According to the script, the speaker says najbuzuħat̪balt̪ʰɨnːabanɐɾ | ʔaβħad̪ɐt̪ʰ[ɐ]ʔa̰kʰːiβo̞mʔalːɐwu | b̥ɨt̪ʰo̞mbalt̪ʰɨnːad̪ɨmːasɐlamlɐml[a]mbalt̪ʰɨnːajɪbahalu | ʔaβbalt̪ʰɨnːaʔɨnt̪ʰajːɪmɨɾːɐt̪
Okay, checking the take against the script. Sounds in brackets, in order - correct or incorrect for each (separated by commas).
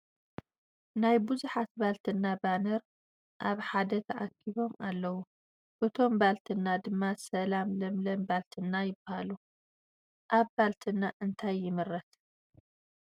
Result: correct, incorrect